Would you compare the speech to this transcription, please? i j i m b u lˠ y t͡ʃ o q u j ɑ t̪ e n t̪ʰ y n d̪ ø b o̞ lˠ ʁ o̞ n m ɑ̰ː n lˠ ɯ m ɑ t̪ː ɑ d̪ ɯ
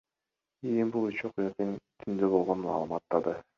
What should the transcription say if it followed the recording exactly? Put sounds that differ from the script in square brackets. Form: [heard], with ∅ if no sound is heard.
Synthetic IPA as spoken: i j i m b u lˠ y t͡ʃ o q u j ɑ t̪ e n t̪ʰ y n d̪ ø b o̞ lˠ ʁ o̞ n m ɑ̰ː [∅] lˠ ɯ m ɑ t̪ː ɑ d̪ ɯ